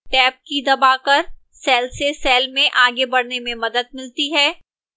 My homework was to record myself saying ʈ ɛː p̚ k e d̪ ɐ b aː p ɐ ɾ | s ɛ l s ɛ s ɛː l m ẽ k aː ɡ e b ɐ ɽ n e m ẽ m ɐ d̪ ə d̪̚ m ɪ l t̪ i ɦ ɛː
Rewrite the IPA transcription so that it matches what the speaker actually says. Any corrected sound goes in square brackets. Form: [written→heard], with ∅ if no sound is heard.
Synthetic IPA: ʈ ɛː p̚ k [e→i] d̪ ɐ b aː [p→k] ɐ ɾ | s [ɛ→ɛː] l s [ɛ→e] s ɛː l m ẽ [k→ʔ] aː ɡ e b ɐ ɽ n e m ẽ m ɐ d̪ ə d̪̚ m ɪ l t̪ i ɦ ɛː